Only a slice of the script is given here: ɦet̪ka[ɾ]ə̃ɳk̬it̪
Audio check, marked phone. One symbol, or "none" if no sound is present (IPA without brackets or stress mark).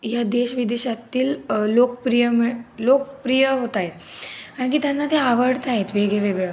ɾ